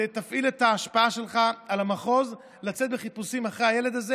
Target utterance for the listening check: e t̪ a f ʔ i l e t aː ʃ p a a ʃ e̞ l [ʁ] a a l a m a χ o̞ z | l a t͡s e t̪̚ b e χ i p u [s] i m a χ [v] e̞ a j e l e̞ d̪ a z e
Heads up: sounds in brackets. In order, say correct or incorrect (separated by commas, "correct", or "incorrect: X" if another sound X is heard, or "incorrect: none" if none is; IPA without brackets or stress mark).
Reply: incorrect: χ, correct, incorrect: ʁ